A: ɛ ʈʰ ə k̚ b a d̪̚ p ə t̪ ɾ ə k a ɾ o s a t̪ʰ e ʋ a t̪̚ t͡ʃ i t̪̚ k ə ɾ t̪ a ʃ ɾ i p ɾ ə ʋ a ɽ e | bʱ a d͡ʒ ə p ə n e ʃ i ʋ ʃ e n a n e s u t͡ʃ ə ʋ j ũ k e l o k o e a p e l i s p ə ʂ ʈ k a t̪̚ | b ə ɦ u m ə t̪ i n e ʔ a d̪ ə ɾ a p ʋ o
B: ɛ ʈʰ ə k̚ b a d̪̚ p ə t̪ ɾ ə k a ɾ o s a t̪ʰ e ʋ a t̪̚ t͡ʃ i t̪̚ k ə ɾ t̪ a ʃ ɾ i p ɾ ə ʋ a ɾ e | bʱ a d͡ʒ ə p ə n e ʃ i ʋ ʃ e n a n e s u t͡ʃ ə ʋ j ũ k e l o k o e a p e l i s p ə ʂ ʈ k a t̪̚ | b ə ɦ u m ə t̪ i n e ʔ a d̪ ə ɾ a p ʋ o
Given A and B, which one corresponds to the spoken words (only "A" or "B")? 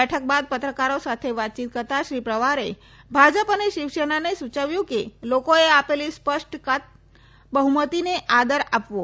B